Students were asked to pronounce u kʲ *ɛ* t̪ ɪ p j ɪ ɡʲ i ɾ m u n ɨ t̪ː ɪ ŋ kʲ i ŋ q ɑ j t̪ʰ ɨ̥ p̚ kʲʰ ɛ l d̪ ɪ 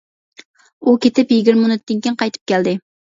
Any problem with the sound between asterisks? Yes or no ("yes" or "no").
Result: yes